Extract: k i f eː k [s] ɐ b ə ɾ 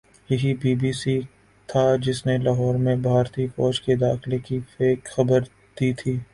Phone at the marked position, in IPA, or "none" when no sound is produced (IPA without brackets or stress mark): x